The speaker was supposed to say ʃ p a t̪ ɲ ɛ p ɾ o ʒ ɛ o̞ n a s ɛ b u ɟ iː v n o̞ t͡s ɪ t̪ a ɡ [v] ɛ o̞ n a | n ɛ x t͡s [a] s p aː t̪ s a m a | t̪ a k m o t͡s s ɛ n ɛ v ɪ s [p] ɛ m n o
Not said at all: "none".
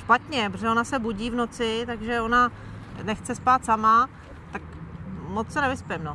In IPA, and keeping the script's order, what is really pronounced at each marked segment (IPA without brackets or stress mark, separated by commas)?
ʒ, ɛ, p